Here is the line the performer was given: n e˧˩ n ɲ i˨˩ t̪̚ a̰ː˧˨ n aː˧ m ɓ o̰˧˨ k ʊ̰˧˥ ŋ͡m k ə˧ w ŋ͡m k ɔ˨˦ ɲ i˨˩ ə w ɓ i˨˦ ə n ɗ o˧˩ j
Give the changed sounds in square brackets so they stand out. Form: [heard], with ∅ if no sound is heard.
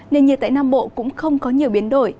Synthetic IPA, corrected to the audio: n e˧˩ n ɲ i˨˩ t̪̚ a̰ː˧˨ n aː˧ m ɓ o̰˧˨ k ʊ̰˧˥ ŋ͡m [x] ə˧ w ŋ͡m k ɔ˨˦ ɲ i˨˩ ə w ɓ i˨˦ ə n ɗ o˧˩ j